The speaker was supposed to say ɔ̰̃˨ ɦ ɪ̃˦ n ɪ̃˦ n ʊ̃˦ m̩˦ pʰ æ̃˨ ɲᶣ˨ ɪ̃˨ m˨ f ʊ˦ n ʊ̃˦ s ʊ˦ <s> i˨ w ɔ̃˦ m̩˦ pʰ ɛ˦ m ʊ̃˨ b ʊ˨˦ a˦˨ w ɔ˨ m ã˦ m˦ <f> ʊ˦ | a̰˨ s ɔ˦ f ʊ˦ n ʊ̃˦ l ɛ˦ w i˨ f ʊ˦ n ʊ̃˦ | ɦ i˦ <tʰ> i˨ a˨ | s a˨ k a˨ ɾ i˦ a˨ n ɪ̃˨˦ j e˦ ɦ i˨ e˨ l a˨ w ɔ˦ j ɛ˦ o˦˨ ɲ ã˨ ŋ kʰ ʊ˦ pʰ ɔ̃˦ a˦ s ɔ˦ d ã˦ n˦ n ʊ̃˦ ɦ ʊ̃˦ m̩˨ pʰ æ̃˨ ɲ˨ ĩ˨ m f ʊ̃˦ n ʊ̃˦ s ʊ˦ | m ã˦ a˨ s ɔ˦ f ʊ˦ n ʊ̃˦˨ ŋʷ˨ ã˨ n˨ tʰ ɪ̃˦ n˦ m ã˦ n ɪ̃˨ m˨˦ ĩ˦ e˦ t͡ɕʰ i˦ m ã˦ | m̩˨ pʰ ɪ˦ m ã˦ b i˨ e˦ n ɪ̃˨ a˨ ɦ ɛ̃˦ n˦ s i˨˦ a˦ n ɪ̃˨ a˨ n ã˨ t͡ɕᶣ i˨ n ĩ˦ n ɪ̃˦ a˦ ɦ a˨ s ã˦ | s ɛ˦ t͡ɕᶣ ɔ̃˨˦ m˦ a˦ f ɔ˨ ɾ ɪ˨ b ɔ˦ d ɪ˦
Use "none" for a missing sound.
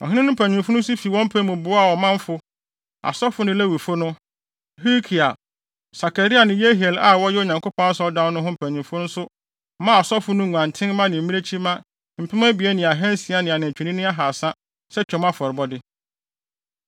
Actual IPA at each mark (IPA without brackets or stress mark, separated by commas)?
f, f, kʰ